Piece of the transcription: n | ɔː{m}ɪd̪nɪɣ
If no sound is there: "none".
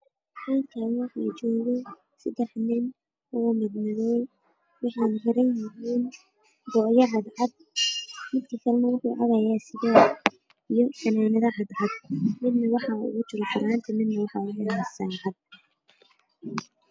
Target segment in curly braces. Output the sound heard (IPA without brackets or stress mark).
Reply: m